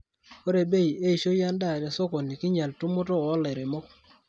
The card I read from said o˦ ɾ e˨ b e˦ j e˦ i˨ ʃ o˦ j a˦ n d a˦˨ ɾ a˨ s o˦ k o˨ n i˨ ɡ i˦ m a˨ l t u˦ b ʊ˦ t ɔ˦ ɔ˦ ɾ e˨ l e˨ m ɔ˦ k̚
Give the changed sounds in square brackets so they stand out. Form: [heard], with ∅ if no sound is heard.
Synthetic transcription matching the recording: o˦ ɾ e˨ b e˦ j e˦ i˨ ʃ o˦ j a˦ n d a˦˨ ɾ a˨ s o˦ k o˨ n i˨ [k] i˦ [ɲ] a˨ l t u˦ [m] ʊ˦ t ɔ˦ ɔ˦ [l] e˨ [ɾ] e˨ m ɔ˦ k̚